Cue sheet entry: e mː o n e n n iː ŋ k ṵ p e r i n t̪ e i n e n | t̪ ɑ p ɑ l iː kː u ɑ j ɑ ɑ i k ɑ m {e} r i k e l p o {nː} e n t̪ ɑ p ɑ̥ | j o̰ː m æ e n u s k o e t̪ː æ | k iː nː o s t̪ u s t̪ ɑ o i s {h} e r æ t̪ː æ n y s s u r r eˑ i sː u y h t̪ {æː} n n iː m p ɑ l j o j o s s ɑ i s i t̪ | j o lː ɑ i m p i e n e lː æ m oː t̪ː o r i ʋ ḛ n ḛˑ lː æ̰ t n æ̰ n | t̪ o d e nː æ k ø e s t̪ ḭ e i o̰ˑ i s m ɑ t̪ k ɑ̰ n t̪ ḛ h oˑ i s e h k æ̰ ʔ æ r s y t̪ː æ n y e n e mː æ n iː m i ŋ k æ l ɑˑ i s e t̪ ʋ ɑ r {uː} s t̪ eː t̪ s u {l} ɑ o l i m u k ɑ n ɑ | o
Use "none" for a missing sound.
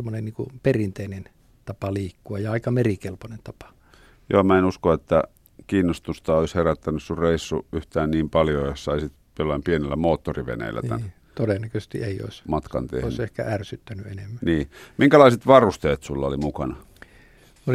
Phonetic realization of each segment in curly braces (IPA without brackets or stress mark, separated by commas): e, n, h, æː, u, lː